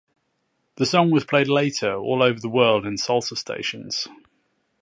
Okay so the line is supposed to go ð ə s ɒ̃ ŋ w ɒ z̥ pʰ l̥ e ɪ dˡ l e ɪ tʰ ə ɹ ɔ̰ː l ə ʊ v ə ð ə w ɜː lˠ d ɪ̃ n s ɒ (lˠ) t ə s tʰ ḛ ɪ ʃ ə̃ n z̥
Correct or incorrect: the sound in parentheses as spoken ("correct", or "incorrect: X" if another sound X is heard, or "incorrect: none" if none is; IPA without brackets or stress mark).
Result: correct